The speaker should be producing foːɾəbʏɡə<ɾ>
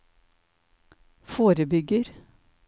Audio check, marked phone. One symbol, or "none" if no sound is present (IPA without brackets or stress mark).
ɾ